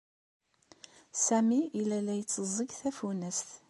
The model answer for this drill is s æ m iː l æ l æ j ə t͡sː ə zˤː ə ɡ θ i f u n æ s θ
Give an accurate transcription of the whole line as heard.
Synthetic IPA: s æ m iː l æ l æ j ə t͡sː ə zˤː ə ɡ θ æ f u n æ s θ